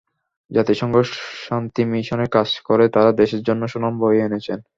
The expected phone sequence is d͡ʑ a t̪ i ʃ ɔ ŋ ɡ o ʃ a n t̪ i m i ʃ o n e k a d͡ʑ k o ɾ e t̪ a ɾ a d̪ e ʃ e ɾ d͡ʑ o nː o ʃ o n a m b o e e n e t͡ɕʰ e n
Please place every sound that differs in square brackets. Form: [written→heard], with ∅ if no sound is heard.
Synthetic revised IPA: d͡ʑ a t̪ i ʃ ɔ ŋ ɡ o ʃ a n t̪ i m i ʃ o n e k a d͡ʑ k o ɾ e t̪ a ɾ a d̪ e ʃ e ɾ d͡ʑ o nː o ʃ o n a m b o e e n e t͡ɕʰ e n